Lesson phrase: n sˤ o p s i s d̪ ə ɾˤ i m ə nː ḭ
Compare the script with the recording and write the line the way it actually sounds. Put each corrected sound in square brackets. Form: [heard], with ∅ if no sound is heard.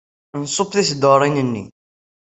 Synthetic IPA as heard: n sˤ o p [θ] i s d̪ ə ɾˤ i [n] ə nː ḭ